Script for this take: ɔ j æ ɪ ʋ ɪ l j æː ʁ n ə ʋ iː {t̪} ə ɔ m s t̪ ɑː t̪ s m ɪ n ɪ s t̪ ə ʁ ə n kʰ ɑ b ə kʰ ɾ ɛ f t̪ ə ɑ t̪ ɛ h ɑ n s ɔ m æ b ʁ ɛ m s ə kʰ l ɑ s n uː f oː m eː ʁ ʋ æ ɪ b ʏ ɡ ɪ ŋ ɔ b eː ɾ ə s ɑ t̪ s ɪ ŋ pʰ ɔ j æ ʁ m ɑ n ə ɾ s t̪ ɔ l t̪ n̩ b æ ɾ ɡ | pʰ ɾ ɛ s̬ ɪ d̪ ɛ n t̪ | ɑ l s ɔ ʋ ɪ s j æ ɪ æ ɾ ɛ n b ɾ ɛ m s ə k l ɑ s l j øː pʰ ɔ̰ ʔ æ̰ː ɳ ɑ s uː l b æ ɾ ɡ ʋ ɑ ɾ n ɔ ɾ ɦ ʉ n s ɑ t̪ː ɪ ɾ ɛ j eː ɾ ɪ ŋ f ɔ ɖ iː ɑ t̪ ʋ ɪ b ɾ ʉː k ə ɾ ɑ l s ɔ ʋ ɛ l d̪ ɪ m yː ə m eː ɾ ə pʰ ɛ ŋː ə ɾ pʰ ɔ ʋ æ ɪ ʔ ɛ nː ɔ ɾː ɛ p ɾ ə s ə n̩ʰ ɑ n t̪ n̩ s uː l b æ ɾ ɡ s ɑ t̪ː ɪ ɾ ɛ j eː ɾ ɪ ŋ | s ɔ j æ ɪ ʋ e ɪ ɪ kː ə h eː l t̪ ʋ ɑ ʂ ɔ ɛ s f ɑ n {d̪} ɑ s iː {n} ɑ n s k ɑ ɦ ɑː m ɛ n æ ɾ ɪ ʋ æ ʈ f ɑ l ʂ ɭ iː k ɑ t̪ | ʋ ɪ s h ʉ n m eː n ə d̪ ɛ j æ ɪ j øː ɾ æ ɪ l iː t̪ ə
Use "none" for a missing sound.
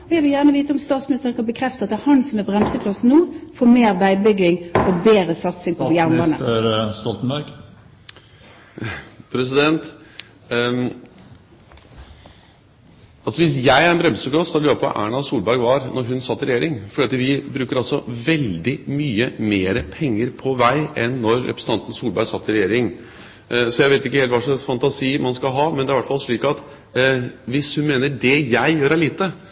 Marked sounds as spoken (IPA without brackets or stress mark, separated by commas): t̪, t̪, m